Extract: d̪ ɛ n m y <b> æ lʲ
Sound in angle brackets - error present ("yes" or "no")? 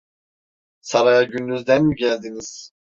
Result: yes